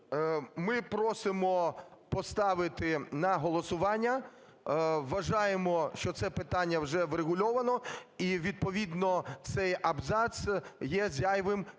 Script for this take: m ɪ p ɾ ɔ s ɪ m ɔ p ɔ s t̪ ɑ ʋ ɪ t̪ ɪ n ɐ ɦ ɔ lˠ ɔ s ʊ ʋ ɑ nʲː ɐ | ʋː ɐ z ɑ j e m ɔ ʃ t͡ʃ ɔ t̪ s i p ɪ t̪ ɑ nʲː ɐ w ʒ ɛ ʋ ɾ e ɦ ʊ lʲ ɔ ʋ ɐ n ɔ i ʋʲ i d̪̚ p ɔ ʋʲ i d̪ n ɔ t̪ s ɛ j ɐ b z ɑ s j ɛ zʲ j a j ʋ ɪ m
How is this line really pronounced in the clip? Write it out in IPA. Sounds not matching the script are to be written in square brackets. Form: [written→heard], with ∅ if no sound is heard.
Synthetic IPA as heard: m ɪ p ɾ ɔ s ɪ m ɔ p ɔ s t̪ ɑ ʋ ɪ t̪ ɪ n ɐ ɦ ɔ lˠ ɔ s ʊ ʋ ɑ nʲː ɐ | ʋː ɐ [z→ʒ] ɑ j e m ɔ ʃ t͡ʃ ɔ t̪ s [i→ɛ] p ɪ t̪ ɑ nʲː ɐ w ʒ ɛ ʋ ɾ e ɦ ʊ lʲ ɔ ʋ ɐ n ɔ i ʋʲ i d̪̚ p ɔ ʋʲ i d̪ n ɔ t̪ s ɛ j ɐ b z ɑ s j ɛ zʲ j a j ʋ ɪ m

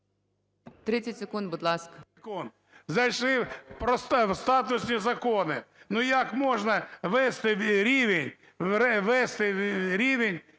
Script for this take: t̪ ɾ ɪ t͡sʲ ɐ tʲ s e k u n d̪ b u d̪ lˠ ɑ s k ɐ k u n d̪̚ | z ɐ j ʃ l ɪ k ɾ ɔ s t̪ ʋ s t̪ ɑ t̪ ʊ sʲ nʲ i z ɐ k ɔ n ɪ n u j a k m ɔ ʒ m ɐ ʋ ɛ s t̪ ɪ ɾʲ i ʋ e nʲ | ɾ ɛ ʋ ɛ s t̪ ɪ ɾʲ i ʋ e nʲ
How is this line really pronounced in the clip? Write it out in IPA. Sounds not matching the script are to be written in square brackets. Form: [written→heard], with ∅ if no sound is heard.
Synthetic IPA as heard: t̪ ɾ ɪ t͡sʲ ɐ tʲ s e k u n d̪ b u d̪ lˠ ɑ s k ɐ k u n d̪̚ | z ɐ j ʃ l ɪ [k→p] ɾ ɔ s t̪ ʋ s t̪ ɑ t̪ ʊ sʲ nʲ i z ɐ k ɔ n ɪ n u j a k m ɔ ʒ [m→n] ɐ ʋ ɛ s t̪ ɪ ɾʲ i ʋ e nʲ | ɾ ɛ ʋ ɛ s t̪ ɪ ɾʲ i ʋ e nʲ

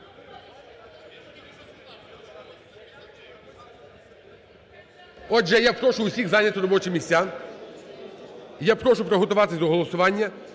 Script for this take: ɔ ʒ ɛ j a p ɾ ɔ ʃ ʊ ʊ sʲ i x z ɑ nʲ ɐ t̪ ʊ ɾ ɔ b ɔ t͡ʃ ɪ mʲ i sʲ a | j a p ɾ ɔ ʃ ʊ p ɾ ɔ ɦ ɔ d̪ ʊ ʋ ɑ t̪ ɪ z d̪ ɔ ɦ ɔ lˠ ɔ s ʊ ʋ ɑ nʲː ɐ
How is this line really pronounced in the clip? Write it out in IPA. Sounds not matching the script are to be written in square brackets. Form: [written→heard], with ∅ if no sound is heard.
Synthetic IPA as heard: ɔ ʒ ɛ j a p ɾ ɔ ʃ ʊ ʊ sʲ i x z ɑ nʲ ɐ t̪ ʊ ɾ ɔ b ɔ t͡ʃ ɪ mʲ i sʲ a | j a p ɾ ɔ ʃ ʊ p ɾ ɔ ɦ ɔ [d̪→t̪] ʊ ʋ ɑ t̪ ɪ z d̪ ɔ ɦ ɔ lˠ ɔ s ʊ ʋ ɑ nʲː ɐ

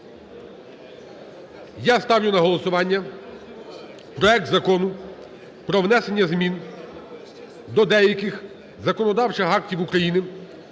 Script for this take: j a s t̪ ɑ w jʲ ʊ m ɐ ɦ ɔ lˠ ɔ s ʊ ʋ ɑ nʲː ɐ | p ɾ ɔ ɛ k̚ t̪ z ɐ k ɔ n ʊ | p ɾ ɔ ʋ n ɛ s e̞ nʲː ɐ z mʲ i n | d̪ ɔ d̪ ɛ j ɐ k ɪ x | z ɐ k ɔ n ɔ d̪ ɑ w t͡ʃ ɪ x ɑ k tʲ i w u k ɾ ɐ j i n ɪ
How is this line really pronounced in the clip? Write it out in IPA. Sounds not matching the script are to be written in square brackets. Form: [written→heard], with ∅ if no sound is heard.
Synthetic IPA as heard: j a s t̪ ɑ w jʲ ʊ [m→n] ɐ ɦ ɔ lˠ ɔ s ʊ ʋ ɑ nʲː ɐ | p ɾ ɔ ɛ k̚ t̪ z ɐ k ɔ n ʊ | p ɾ ɔ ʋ n ɛ s e̞ nʲː ɐ z mʲ i n | d̪ ɔ d̪ ɛ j ɐ k ɪ x | z ɐ k ɔ n ɔ d̪ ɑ w t͡ʃ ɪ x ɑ k tʲ i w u k ɾ ɐ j i n ɪ

